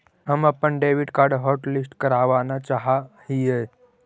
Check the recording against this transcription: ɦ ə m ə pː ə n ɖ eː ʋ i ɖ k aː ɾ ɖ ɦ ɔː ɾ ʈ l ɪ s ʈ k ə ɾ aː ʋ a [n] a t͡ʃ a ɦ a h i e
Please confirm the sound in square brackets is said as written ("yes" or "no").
yes